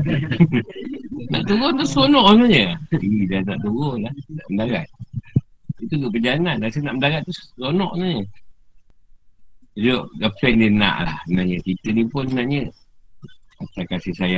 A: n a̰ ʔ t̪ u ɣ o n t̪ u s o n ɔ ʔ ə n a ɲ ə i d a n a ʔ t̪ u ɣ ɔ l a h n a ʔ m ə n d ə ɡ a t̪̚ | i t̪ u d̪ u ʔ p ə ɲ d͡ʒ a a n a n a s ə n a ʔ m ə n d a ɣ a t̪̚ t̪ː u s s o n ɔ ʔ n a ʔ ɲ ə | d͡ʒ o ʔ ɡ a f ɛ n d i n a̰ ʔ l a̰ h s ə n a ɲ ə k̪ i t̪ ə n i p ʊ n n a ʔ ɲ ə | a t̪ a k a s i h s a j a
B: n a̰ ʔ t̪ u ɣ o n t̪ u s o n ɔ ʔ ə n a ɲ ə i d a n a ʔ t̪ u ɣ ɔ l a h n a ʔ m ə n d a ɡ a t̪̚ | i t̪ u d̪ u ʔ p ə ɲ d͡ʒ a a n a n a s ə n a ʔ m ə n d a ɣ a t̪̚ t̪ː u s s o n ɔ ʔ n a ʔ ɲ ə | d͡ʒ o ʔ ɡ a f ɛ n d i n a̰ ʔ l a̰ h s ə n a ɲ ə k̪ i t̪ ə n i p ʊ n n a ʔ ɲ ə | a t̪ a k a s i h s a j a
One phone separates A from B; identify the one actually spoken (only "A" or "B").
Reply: B